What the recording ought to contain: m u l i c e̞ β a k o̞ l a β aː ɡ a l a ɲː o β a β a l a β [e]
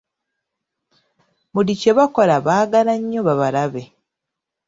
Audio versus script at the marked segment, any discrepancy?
no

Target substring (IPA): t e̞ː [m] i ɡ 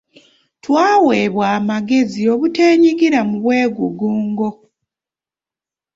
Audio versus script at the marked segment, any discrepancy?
yes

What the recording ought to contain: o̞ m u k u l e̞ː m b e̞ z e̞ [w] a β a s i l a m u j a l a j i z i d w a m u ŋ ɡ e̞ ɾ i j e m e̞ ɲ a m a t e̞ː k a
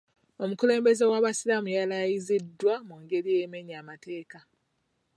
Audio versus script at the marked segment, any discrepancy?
no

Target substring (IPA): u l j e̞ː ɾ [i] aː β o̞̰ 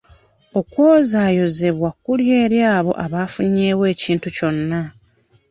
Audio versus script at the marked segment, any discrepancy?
yes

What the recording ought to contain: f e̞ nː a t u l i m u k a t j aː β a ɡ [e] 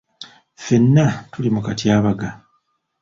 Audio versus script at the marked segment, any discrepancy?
yes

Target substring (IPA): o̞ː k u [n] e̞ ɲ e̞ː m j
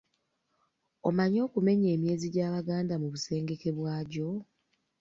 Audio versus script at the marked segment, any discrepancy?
yes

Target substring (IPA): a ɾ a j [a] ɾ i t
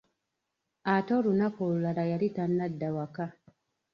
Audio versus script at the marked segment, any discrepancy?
no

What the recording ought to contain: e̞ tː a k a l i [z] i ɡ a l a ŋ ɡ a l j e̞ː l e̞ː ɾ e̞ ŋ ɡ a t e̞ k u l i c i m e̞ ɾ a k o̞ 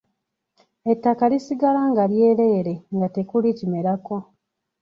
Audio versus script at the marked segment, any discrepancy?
yes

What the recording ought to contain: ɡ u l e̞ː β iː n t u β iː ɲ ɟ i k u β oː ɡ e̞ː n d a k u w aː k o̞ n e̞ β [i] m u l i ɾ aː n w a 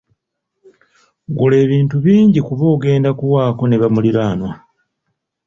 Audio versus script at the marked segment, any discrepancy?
yes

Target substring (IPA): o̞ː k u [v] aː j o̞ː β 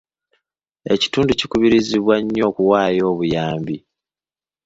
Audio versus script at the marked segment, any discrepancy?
yes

